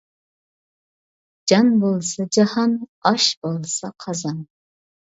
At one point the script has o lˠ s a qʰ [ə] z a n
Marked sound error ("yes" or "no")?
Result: yes